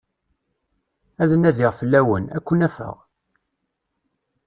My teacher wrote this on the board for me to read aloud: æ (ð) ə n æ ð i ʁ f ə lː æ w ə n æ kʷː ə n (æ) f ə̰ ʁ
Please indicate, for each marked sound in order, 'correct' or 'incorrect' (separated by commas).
correct, correct